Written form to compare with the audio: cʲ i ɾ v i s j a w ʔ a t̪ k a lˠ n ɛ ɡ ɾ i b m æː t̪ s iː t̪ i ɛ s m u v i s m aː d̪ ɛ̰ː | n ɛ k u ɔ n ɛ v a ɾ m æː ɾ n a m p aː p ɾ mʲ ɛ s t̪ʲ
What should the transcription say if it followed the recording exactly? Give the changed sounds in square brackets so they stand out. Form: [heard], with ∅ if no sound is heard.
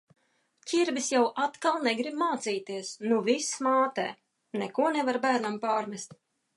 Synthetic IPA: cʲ i ɾ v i s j a w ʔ a t̪ k a lˠ n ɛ ɡ ɾ i b m [aː] t̪ s iː t̪ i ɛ s [n] u v i s m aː [t̪] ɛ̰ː | n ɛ k u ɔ n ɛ v a ɾ [b] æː ɾ n a m p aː [∅] ɾ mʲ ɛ s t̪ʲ